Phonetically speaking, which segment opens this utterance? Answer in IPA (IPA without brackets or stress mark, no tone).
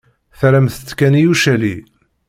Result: θ